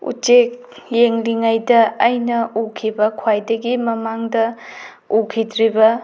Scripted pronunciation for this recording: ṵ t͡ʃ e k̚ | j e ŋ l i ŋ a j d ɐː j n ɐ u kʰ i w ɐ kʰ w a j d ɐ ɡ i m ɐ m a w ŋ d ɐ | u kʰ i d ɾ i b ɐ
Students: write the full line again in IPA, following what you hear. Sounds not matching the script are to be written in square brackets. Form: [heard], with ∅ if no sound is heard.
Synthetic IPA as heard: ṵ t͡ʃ e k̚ | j e ŋ l i ŋ a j d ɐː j n ɐ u kʰ i [b] ɐ kʰ w a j d ɐ ɡ i m ɐ m a [∅] ŋ d ɐ | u kʰ i d ɾ i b ɐ